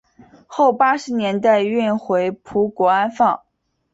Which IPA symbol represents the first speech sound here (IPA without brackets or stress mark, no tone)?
x